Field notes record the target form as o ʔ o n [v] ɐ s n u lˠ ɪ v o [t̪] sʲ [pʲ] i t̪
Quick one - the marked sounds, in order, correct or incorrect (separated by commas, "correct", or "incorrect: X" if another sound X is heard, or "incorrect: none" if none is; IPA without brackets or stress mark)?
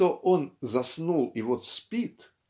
incorrect: z, correct, correct